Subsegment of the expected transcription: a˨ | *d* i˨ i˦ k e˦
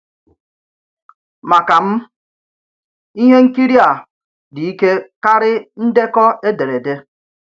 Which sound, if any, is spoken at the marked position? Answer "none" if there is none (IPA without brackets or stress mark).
d